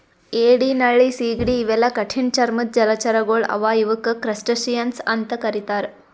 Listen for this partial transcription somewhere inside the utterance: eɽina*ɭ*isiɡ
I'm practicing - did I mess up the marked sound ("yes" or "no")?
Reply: no